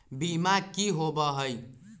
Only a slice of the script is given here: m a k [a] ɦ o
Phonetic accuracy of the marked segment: incorrect: i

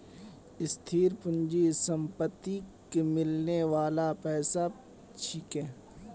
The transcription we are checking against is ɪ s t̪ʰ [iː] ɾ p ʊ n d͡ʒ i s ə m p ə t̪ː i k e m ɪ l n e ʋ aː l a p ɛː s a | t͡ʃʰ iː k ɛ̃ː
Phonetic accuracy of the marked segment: correct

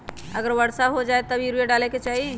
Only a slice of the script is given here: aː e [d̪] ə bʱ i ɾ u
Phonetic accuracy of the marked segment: incorrect: t̪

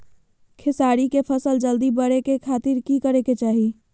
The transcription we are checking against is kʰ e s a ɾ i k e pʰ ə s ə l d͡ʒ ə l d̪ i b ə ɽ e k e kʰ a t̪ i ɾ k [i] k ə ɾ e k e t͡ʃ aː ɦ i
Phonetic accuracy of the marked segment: correct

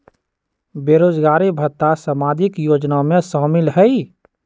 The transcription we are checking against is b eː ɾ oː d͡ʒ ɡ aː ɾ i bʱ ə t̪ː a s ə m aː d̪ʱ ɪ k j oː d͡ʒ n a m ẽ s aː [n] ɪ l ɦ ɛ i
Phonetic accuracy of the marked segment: incorrect: m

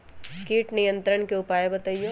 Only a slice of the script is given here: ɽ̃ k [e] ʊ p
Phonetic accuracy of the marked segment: correct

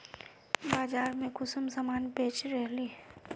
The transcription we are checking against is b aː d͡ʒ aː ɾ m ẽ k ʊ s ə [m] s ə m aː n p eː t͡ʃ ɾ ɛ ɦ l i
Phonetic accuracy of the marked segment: correct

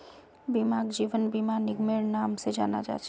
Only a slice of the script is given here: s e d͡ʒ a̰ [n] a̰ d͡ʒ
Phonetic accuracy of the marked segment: correct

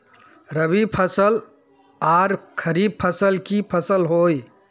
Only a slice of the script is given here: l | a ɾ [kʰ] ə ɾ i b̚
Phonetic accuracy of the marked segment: correct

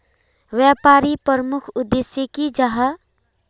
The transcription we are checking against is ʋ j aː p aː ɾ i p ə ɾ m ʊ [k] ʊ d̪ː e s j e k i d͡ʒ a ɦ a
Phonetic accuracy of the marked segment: incorrect: kʰ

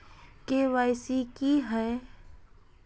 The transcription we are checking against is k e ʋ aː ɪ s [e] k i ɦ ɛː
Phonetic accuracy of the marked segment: incorrect: i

